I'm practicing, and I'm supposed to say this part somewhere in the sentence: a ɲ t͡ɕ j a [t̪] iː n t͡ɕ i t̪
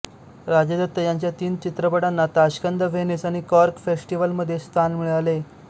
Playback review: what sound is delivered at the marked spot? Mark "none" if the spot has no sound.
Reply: t̪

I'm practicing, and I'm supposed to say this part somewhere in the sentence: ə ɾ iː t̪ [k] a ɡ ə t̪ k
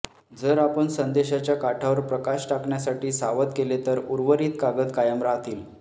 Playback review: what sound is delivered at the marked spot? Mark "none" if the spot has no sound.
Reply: k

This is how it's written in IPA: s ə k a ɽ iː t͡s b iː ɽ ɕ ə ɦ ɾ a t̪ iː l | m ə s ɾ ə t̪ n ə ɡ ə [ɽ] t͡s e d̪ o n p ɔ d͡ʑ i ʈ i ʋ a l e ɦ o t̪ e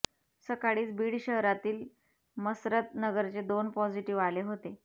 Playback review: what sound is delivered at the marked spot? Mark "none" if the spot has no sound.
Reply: ɾ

